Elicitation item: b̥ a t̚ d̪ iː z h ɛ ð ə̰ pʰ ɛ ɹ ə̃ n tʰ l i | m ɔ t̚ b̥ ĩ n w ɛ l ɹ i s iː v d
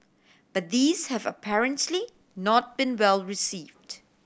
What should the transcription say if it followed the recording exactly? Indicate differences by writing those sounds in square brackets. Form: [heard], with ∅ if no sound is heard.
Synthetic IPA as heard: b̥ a t̚ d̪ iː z h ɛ [v] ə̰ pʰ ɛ ɹ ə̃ n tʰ l i | [n] ɔ t̚ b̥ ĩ n w ɛ l ɹ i s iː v d